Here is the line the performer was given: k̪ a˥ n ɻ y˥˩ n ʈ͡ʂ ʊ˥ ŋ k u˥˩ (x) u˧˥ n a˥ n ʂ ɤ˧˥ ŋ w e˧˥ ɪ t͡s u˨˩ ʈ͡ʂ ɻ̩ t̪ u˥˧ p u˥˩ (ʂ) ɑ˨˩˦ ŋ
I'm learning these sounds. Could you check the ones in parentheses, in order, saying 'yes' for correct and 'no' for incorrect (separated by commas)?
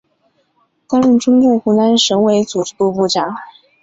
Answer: yes, no